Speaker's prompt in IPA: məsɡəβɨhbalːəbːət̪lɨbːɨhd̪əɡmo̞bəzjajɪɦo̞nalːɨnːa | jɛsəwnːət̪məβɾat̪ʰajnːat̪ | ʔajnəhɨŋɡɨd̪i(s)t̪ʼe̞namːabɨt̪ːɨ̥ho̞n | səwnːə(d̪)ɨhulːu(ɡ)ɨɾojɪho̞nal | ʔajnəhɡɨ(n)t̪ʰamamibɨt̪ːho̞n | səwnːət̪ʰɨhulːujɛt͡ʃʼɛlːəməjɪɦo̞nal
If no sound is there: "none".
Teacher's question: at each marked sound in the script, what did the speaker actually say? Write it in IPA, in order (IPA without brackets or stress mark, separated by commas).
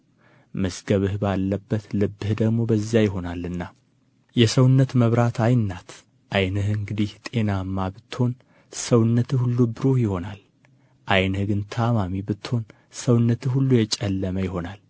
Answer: h, t̪, b, n